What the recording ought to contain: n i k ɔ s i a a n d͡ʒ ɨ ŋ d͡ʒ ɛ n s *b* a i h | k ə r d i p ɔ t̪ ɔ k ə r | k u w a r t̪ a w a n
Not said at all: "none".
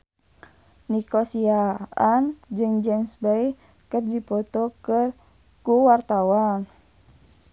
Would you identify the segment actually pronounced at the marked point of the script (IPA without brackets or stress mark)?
b